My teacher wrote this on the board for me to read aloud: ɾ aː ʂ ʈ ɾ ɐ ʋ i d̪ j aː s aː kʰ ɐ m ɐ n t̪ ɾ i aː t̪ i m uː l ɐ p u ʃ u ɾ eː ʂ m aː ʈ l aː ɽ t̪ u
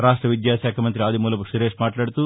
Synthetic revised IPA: ɾ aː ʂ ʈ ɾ ɐ ʋ i d̪ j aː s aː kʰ ɐ m ɐ n t̪ ɾ i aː d̪ i m uː l ɐ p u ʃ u ɾ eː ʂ m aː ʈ l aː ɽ t̪ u